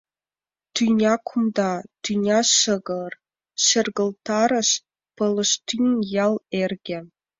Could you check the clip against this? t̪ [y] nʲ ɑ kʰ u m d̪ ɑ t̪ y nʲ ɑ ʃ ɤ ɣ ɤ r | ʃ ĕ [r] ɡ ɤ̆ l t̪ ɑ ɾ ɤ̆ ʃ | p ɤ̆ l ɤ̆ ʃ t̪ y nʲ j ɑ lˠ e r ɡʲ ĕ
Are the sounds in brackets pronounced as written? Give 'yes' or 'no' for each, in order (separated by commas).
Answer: yes, yes